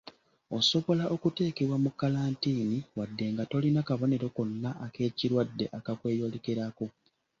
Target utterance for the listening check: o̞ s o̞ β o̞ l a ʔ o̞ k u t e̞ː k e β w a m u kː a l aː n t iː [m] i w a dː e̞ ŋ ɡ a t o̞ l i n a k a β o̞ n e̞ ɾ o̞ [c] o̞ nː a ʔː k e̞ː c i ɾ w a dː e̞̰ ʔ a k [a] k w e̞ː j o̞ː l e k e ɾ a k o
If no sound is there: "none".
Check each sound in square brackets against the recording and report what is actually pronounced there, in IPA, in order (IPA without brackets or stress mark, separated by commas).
n, k, a